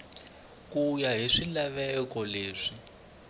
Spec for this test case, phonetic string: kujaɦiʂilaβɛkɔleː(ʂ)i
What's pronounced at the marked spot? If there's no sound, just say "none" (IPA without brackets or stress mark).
ʂ